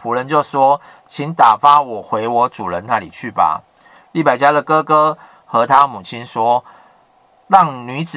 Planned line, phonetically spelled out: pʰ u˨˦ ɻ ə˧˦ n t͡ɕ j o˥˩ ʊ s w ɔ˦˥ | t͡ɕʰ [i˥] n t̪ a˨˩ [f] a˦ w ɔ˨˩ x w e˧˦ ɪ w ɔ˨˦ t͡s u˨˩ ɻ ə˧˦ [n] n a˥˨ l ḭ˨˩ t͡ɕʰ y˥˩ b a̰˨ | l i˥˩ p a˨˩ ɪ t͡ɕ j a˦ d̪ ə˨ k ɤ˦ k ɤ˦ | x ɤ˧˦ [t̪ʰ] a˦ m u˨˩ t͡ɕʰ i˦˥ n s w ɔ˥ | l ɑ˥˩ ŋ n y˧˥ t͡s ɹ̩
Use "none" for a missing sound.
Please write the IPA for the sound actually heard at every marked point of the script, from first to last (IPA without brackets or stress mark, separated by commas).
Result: i˨˦, f, n, t̪ʰ